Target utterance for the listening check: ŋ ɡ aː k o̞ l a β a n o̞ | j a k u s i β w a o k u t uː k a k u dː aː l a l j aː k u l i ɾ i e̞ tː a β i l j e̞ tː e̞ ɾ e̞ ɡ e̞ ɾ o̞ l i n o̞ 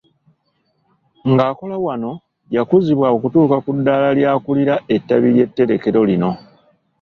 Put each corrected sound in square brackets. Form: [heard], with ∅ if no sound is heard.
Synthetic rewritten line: ŋ ɡ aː k o̞ l a [w] a n o̞ | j a k u [z] i β w a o k u t uː k a k u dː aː l a l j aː k u l i ɾ [a] e̞ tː a β i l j e̞ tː e̞ ɾ e̞ [k] e̞ ɾ o̞ l i n o̞